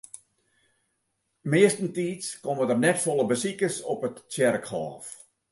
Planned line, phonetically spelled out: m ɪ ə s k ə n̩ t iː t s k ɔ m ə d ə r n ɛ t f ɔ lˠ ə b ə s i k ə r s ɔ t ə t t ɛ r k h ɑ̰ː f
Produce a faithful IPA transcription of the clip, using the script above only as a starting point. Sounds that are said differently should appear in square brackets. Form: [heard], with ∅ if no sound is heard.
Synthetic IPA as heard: m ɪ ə s [t] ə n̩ t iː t s k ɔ m ə d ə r n ɛ t f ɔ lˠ ə b ə s i k ə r s ɔ [p] ə t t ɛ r k h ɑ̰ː f

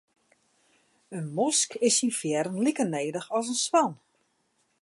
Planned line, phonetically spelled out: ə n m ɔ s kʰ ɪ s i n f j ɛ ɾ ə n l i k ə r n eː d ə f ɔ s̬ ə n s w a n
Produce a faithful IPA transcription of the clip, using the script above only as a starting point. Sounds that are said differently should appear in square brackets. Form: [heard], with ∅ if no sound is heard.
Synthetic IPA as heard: ə n m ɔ s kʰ ɪ s i n f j ɛ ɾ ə n l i k ə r n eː d ə [x] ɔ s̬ ə n s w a n

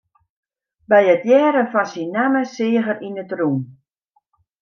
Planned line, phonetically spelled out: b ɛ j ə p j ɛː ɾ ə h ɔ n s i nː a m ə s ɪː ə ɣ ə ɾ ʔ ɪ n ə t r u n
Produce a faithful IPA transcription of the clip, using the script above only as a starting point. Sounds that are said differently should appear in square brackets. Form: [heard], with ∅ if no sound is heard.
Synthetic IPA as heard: b ɛ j ə [t] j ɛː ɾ ə [f] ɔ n s i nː a m ə s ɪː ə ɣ ə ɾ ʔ [i] n ə t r u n

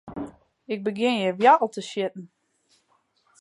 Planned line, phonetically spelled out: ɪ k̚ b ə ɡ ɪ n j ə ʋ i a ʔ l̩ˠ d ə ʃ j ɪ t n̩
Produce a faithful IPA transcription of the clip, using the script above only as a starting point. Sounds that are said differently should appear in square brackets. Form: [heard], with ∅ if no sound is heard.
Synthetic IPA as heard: ɪ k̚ b ə ɡ ɪ n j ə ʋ [j] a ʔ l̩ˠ [t] ə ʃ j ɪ t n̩

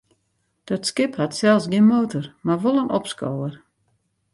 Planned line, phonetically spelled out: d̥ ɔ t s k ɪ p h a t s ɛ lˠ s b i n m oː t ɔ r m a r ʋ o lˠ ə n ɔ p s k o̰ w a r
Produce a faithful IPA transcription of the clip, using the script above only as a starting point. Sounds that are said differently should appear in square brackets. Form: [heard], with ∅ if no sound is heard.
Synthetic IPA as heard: d̥ ɔ t s k ɪ p h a t s ɛ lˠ s [ɡ] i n m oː t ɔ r m a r ʋ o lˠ ə n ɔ p s k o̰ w [ə] r

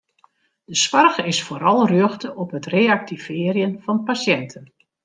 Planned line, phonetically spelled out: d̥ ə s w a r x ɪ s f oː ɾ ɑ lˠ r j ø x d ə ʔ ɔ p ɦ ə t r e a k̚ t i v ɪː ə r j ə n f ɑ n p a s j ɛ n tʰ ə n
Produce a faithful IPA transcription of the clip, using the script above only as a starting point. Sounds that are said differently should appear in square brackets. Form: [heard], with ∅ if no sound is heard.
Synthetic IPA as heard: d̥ ə s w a r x ɪ s f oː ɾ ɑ lˠ r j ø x [t] ə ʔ ɔ p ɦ ə t r e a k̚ t i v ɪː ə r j ə n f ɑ n p a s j ɛ n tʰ ə n

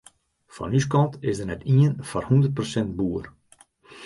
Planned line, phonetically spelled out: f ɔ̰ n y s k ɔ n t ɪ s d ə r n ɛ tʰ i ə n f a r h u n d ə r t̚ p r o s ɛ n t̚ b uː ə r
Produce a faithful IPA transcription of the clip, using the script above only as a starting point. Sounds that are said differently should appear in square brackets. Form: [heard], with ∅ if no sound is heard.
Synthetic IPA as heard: f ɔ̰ n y s k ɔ n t ɪ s d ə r n ɛ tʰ i ə n f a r h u n d ə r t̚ p r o s ɛ n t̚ b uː ə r

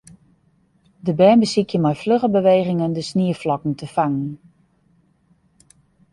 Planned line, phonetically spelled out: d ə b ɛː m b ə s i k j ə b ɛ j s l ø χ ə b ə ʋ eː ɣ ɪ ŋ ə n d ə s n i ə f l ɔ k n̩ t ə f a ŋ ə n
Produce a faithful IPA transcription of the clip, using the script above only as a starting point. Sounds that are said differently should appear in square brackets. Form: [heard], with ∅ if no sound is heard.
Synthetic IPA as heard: d ə b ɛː m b ə s i k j ə [m] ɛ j [f] l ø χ ə b ə ʋ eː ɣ ɪ ŋ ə n d ə s n i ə f l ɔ k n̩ t ə f a ŋ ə n

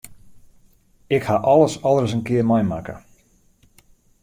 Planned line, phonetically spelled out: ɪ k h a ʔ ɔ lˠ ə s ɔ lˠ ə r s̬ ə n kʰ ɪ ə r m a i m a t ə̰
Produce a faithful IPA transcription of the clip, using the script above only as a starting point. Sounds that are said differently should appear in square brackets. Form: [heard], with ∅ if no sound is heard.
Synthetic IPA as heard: ɪ k h a ʔ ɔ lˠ ə s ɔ lˠ ə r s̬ ə n [k] ɪ ə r m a [j] m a [k] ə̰

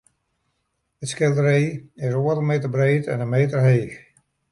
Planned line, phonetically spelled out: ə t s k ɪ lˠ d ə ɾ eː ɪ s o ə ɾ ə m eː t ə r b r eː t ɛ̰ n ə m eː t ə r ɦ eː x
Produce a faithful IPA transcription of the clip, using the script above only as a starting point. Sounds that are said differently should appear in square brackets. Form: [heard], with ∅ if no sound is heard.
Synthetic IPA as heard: ə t s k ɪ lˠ d ə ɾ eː ɪ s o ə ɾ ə m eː t ə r b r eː t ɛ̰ n ə m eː t ə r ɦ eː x

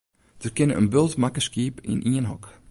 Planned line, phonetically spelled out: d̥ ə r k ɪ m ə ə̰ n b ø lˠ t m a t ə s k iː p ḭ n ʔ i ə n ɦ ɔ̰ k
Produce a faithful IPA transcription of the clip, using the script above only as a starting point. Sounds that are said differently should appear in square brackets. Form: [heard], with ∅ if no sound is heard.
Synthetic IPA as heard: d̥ ə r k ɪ [n] ə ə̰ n b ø lˠ t m a [k] ə s k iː p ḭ n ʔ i ə n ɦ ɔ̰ k

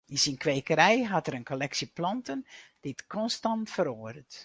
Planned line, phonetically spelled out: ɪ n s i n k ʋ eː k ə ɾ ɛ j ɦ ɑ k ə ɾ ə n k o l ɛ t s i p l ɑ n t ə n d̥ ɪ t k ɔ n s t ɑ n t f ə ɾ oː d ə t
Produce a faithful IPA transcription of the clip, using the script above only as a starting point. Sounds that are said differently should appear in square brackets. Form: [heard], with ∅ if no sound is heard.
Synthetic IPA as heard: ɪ n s i n k ʋ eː k ə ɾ ɛ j ɦ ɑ [t] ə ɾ ə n k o l ɛ [k] s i p l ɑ n t ə n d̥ ɪ t k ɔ n s t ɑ n t f ə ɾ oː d ə t

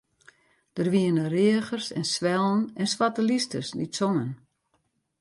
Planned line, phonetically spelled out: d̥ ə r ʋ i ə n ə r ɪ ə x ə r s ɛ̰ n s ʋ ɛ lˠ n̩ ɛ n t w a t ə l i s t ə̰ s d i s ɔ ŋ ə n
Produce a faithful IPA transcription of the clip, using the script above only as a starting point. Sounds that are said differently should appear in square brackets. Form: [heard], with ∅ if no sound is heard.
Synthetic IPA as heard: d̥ ə r ʋ i ə n ə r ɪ ə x ə r s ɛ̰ n s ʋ ɛ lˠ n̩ ɛ n [s] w a t ə l i s t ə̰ s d i s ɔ ŋ ə n

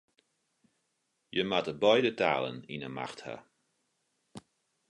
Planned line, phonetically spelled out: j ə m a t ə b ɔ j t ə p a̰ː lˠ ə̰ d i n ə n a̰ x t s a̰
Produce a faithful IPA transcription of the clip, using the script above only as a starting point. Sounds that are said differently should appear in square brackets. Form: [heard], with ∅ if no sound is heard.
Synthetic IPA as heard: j ə m a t ə b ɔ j [d] ə [t] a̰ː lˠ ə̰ [n] i n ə [m] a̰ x t [h] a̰

